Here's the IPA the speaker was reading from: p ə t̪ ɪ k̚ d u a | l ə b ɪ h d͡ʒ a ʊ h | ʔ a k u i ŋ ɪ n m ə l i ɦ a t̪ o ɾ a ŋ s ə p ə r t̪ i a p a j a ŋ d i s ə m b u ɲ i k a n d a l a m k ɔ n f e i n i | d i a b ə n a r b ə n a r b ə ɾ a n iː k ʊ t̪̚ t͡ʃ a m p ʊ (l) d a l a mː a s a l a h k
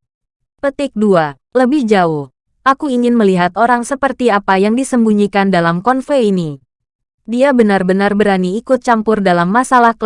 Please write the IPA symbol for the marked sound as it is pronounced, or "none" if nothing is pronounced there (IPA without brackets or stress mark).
r